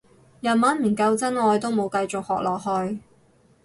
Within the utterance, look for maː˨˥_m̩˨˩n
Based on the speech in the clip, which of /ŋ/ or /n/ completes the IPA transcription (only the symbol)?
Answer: n